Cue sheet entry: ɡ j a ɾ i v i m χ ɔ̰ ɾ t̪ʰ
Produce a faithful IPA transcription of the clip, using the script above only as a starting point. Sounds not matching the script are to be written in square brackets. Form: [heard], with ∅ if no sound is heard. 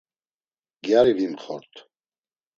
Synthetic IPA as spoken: ɡ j a ɾ i v i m χ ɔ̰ ɾ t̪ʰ